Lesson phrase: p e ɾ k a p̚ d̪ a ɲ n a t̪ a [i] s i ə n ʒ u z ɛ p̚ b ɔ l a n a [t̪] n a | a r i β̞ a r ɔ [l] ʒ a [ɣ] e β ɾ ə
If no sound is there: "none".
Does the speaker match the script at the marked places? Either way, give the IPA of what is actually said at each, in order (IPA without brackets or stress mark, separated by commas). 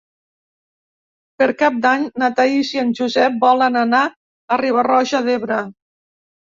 i, none, none, ð